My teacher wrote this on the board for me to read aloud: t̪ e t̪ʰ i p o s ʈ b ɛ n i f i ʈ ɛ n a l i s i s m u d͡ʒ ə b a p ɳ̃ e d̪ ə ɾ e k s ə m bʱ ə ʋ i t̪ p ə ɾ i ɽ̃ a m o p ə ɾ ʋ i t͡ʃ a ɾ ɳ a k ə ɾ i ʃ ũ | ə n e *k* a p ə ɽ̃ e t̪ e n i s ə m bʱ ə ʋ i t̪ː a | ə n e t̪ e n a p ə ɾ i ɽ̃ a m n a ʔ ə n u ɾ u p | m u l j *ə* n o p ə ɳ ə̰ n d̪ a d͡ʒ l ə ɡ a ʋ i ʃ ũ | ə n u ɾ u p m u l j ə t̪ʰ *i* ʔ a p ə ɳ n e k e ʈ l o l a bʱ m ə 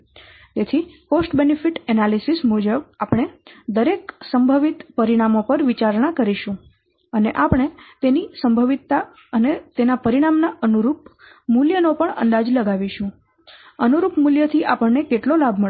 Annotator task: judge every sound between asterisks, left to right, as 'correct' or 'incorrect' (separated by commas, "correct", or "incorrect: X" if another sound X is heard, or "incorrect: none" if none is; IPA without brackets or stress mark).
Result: incorrect: ʔ, correct, correct